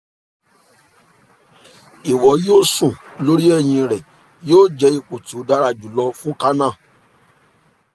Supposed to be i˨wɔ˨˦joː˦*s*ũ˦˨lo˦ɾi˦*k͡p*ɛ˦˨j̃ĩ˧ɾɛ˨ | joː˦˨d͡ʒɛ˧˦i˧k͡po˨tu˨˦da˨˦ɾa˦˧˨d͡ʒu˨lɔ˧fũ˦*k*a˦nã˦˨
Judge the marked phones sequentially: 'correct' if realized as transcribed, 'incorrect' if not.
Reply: correct, incorrect: none, correct

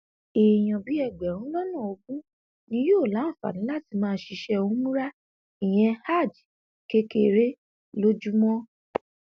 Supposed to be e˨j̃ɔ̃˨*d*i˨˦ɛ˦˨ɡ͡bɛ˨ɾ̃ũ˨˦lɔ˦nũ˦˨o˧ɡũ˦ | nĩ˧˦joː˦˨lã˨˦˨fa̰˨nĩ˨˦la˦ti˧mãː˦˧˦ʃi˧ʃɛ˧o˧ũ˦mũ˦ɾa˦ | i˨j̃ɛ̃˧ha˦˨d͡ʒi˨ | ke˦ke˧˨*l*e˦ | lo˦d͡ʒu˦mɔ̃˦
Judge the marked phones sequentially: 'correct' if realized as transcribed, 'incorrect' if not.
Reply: incorrect: b, incorrect: ɾ

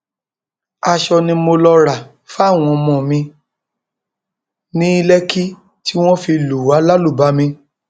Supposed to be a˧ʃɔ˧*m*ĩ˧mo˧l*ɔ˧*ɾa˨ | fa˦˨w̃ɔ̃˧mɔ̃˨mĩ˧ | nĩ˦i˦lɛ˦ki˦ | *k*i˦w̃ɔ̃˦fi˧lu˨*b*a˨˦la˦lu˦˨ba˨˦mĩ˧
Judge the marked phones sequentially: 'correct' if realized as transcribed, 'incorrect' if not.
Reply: incorrect: n, correct, incorrect: t, incorrect: w

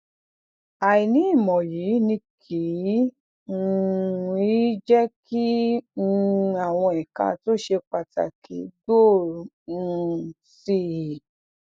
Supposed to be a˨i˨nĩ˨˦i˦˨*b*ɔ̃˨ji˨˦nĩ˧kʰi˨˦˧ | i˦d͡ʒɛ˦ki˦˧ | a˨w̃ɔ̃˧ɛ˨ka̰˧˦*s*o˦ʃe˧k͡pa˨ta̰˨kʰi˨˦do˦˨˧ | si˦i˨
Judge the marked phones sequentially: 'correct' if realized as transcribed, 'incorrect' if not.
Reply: incorrect: m, incorrect: t

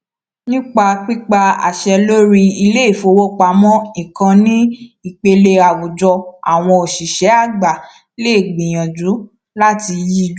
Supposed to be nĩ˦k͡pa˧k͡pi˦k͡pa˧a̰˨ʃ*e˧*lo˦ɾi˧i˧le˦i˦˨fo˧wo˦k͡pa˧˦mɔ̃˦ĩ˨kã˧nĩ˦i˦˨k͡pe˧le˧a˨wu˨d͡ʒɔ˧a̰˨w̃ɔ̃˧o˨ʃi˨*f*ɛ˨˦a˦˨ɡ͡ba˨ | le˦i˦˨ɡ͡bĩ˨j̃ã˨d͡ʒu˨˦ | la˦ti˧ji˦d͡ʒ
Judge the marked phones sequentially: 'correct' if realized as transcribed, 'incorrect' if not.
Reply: incorrect: ɛ˧, incorrect: ʃ

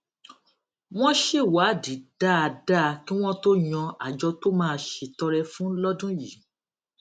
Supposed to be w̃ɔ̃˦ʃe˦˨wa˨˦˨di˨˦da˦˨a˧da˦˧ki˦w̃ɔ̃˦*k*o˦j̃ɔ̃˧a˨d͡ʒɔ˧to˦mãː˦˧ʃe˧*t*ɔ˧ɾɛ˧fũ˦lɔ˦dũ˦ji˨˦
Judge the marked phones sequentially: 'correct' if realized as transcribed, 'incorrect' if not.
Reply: incorrect: t, correct

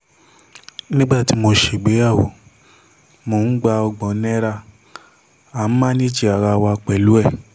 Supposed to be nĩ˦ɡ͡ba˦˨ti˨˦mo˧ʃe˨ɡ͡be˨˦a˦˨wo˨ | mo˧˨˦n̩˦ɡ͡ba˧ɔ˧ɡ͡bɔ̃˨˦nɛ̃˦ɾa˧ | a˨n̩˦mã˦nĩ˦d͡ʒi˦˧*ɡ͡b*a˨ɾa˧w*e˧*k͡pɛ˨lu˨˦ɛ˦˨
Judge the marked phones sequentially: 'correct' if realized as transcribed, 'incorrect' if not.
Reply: incorrect: none, incorrect: a˧

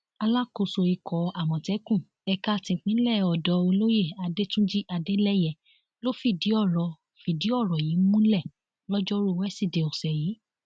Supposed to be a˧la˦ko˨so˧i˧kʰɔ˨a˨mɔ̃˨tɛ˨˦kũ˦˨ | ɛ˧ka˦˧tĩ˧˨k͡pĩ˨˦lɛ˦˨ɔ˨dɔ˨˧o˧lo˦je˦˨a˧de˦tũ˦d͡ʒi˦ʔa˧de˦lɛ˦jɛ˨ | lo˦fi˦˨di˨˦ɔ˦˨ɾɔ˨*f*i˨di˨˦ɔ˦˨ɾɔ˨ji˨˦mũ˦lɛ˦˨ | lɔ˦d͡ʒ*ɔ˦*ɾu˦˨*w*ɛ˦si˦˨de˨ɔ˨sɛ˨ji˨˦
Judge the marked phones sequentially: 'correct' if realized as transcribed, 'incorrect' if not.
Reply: correct, correct, correct

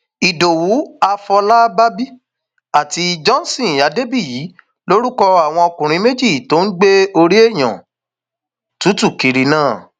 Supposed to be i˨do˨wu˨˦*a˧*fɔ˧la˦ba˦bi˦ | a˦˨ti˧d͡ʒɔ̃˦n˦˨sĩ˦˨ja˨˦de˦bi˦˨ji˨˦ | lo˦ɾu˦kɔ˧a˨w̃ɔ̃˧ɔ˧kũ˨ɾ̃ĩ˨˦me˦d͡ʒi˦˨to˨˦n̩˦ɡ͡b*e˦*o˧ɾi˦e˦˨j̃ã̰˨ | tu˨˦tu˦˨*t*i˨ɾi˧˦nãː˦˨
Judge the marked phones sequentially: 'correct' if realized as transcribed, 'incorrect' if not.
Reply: correct, correct, incorrect: k

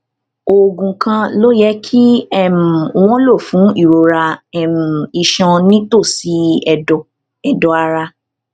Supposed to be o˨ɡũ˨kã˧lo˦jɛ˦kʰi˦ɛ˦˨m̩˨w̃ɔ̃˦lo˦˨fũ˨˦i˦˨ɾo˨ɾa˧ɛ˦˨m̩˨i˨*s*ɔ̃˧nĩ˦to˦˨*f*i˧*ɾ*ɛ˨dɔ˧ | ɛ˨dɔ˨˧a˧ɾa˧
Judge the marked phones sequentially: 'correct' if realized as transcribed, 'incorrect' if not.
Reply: incorrect: ʃ, incorrect: s, incorrect: none

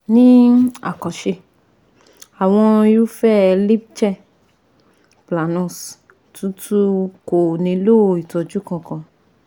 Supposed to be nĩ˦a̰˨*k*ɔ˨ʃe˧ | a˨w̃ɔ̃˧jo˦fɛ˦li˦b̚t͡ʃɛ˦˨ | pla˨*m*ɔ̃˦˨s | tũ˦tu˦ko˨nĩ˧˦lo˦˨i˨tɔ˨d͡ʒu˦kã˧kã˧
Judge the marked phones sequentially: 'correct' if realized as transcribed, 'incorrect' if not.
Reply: correct, incorrect: n

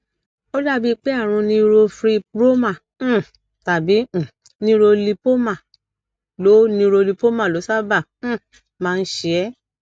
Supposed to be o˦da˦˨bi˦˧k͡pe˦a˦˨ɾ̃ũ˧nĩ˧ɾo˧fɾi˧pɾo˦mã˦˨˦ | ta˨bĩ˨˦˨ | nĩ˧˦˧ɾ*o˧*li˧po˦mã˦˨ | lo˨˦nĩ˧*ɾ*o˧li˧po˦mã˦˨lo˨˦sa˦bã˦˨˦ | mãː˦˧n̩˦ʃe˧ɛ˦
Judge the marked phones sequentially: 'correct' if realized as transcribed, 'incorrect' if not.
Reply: correct, correct

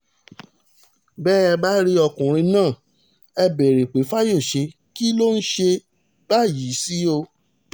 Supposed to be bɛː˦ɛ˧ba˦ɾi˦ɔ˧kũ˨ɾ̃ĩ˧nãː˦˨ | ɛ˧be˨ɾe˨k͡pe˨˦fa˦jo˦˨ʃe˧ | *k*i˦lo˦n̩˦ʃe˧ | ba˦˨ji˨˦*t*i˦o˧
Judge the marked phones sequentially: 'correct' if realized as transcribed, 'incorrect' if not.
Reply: correct, incorrect: s

